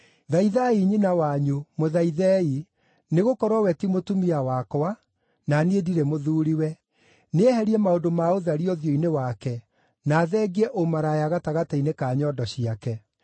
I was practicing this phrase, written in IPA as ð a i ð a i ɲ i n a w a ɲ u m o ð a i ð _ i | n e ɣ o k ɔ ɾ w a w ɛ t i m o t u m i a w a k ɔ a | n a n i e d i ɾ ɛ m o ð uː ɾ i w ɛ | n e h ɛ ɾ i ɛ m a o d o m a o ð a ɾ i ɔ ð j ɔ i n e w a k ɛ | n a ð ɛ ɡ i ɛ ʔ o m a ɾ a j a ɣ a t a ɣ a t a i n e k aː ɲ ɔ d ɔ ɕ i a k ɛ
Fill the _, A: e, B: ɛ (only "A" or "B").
B